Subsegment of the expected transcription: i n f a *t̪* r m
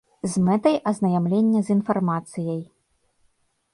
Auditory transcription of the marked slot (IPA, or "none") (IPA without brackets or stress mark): none